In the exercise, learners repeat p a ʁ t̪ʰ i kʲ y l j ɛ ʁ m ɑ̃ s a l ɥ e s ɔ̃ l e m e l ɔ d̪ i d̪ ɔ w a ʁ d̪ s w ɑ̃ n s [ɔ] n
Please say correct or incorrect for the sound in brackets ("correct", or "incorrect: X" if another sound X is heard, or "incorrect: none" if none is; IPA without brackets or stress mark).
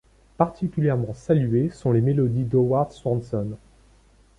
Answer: correct